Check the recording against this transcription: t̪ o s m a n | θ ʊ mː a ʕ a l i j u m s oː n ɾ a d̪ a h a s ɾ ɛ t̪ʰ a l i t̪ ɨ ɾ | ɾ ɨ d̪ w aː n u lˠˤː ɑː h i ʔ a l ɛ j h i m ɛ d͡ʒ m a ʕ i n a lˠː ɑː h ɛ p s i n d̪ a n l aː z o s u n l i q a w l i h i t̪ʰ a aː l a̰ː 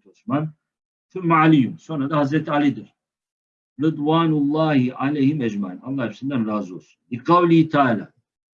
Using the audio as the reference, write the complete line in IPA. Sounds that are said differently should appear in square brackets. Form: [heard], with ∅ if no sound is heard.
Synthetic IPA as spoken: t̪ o s m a n | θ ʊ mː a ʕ a l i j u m s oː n ɾ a d̪ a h a [z] ɾ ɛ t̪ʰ a l i [d̪] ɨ ɾ | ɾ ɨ d̪ w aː n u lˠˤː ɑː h i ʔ a l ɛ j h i m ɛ d͡ʒ m a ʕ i n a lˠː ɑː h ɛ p s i n d̪ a n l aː z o s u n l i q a w l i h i t̪ʰ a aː l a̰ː